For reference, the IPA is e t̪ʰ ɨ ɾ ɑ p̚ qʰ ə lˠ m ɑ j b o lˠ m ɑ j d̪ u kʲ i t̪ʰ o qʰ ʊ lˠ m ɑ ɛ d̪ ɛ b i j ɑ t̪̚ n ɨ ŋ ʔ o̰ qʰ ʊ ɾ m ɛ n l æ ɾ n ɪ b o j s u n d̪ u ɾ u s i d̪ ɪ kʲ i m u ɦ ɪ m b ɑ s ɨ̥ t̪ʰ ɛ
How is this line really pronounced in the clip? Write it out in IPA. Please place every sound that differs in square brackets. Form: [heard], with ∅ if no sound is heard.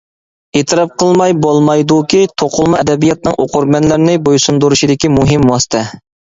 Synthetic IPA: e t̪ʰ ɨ ɾ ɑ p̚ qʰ ə lˠ m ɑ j b o lˠ m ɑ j d̪ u kʲ i t̪ʰ o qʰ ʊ lˠ m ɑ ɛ d̪ ɛ b i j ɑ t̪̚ n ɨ ŋ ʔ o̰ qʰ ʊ ɾ m ɛ n l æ ɾ n ɪ b o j s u n d̪ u ɾ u [ʃ] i d̪ ɪ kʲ i m u ɦ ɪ m [w] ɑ s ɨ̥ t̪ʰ ɛ